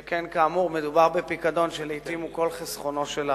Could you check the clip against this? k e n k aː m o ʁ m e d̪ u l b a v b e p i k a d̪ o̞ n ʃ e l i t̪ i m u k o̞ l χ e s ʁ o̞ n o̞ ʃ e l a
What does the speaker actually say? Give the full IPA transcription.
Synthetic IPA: k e n k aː m u ʁ m e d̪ u b a ʁ b e p i k a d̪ o̞ n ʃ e l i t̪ i m u k o̞ l χ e s χ o̞ n o̞ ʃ e l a

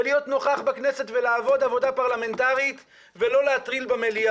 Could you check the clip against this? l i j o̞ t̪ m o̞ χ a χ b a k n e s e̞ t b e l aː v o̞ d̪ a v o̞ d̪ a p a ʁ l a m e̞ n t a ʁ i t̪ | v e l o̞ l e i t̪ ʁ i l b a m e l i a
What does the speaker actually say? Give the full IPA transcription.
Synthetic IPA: l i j o̞ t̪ n o̞ χ a χ b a k n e s e̞ t v e l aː v o̞ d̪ a v o̞ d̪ a p a ʁ l a m e̞ n t a ʁ i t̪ | v e l o̞ l e a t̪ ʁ i l b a m e l i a

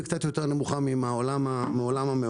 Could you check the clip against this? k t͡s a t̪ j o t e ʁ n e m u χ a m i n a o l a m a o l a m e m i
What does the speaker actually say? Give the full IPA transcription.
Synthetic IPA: k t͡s a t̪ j o t e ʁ n e m u χ a m i m a o l a m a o l a m a m e

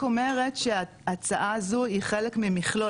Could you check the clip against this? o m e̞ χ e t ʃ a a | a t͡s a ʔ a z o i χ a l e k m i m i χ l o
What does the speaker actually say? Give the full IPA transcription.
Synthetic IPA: o m e̞ ʁ e t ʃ e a | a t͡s a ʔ a z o i χ e l e k m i m i χ l o

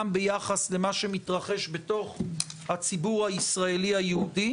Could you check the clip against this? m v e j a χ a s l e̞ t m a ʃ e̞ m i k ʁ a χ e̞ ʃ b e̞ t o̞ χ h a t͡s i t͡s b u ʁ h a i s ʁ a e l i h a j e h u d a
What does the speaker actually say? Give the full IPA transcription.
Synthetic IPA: m b e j a χ a s l e̞ m a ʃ e̞ m i t ʁ a χ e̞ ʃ b e̞ t o̞ χ h a t͡s i b u ʁ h a i s ʁ a e l i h a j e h u d i

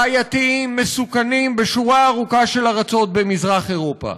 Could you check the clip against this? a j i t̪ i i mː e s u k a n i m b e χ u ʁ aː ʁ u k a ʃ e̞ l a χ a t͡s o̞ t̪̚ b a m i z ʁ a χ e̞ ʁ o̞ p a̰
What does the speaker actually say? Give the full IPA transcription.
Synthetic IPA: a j a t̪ i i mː e s u k a n i m b e ʃ u ʁ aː ʁ u k a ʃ e̞ l a ʁ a t͡s o̞ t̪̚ b e m i z ʁ a χ e̞ ʁ o̞ p a̰

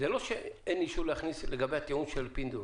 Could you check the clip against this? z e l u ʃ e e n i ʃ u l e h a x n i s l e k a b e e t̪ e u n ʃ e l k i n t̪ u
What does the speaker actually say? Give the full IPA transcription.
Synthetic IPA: z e l o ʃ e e n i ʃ u l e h a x n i s l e ɡ a b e a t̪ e u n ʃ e l p i n d̪ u

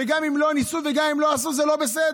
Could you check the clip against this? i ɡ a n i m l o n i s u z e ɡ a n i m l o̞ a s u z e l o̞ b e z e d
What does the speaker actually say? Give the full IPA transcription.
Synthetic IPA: e ɡ a m i m l o n i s u v e ɡ a m i m l o̞ a s u z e l o̞ b e s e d

